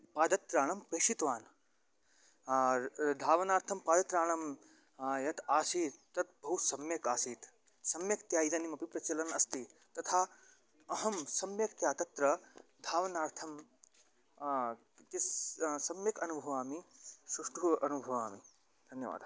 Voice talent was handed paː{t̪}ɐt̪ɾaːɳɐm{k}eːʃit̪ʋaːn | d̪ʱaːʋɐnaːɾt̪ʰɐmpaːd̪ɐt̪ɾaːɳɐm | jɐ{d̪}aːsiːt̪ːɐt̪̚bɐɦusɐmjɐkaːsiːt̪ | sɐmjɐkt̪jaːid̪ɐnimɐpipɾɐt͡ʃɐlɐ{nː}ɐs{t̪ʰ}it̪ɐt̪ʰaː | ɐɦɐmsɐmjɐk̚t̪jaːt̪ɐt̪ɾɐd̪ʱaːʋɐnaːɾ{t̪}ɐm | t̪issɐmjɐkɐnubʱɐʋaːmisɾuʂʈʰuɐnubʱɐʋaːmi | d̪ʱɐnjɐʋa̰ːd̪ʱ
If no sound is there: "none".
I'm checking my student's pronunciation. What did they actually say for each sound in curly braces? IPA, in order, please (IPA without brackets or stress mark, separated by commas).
d̪, p, t̪, n, t̪, t̪ʰ